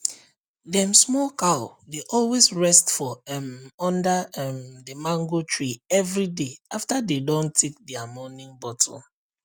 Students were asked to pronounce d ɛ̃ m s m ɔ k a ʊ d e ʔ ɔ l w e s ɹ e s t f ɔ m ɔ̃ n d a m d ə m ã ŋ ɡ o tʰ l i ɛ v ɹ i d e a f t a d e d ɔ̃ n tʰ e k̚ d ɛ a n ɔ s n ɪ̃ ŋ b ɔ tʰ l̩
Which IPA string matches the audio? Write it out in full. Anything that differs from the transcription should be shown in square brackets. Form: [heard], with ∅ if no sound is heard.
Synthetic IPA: d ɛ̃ m s m ɔ k a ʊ d e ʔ ɔ l w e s ɹ [ɛ] s t f ɔ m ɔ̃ n d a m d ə m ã ŋ ɡ o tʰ [ɹ] i ɛ v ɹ i d e a f t a d e d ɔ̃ n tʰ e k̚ d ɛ a [m] ɔ [∅] n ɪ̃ ŋ b ɔ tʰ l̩